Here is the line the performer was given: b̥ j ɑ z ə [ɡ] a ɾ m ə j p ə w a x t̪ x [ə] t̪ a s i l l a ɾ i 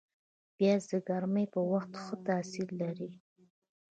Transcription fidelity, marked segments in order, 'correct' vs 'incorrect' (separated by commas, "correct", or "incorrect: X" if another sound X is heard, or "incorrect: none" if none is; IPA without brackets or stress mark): correct, correct